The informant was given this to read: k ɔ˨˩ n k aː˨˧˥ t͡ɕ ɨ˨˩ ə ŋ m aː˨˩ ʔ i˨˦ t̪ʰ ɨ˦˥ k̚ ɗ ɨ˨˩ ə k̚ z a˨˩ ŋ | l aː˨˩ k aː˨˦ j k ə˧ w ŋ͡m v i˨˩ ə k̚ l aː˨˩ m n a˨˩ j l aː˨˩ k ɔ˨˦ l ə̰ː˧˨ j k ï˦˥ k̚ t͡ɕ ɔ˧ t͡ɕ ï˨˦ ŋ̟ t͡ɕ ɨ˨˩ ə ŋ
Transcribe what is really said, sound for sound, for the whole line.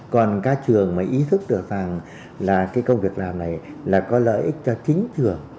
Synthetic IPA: k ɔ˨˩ n k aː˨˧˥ t͡ɕ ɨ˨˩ ə ŋ m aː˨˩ ʔ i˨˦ t̪ʰ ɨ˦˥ k̚ ɗ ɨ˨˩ ə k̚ z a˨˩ ŋ | l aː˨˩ k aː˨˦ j k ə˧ w ŋ͡m v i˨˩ ə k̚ l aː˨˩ m n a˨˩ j l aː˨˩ k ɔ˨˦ l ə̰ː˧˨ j ʔ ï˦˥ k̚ t͡ɕ ɔ˧ t͡ɕ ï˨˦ ŋ̟ t͡ɕ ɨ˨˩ ə ŋ